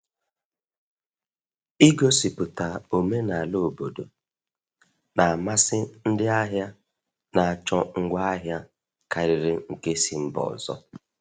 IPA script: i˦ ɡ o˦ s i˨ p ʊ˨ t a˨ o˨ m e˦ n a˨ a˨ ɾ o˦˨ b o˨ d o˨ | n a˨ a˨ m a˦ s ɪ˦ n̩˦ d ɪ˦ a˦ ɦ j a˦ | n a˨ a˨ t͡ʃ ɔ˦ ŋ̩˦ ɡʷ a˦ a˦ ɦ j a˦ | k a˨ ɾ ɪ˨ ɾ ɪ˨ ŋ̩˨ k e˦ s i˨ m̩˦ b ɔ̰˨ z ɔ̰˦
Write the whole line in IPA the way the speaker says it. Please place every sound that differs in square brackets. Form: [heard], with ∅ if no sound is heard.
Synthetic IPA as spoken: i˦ ɡ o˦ s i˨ p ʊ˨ t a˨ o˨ m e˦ n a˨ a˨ [l] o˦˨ b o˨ d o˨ | n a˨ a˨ m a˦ s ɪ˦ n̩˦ d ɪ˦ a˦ ɦ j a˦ | n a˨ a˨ t͡ʃ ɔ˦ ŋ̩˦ ɡʷ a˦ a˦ ɦ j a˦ | k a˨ ɾ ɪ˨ ɾ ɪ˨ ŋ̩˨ k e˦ s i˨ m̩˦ b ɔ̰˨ z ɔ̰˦